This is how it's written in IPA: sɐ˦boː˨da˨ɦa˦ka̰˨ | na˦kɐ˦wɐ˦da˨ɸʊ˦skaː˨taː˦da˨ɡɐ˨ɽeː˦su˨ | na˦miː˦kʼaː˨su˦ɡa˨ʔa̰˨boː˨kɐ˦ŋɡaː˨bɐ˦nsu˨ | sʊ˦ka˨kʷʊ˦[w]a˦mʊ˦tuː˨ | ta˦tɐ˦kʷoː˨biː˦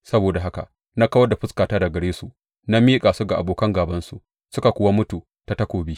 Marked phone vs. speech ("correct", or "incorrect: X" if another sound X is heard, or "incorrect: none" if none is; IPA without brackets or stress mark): correct